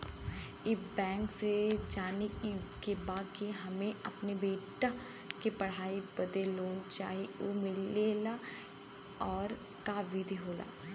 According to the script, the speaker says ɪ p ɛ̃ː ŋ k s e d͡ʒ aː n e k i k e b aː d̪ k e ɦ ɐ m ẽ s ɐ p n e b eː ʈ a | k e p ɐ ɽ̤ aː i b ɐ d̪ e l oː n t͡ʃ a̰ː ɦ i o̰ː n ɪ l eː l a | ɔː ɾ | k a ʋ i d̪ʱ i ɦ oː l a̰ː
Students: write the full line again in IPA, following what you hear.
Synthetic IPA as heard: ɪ b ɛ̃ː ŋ k s e d͡ʒ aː n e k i k e b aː d̪ k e ɦ ɐ m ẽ ɐ p n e b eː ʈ a | k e p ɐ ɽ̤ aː i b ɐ d̪ e l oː n t͡ʃ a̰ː ɦ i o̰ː m ɪ l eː l a | ɔː ɾ | k a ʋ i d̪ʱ i ɦ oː l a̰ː